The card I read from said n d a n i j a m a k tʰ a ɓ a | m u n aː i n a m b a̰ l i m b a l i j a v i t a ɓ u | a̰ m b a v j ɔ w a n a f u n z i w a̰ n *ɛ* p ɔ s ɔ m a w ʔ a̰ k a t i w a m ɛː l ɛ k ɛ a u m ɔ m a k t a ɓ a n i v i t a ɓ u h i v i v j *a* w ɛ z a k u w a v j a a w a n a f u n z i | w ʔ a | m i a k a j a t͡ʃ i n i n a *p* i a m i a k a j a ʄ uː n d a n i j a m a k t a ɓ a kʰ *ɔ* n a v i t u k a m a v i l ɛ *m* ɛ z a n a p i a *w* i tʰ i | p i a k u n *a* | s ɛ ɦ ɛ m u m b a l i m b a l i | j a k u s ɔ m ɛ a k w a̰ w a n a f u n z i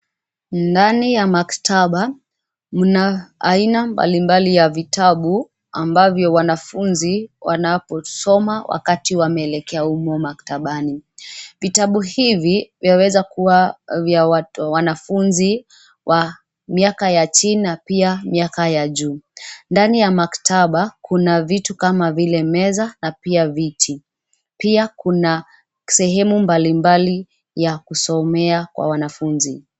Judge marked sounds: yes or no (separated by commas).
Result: no, yes, yes, no, yes, no, yes